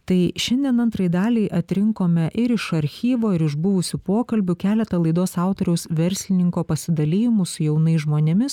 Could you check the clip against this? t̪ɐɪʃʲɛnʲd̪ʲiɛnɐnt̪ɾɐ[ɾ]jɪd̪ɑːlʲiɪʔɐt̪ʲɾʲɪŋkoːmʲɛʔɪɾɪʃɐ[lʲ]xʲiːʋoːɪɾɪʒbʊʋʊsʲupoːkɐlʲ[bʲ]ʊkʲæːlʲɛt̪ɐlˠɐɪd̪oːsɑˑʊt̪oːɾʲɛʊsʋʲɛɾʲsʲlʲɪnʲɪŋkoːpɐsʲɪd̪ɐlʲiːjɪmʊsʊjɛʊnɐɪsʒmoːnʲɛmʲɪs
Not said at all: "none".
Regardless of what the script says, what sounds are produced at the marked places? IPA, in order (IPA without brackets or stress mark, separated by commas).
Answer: none, ɾʲ, bʲ